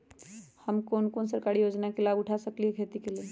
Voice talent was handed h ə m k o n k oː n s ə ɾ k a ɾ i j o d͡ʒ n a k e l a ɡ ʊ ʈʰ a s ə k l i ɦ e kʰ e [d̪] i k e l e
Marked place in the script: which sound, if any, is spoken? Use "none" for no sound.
t̪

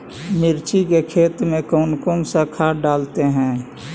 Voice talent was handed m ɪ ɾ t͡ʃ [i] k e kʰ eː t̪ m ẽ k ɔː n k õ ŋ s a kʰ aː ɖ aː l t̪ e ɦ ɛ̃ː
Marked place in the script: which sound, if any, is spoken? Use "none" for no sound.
i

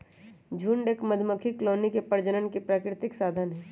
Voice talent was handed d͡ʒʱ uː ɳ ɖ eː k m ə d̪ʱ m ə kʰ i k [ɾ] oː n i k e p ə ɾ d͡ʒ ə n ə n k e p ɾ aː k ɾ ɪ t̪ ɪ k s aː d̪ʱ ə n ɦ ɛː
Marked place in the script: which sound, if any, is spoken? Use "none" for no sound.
l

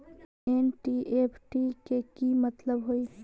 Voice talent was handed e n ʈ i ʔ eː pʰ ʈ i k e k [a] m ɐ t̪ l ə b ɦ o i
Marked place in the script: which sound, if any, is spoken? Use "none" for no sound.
i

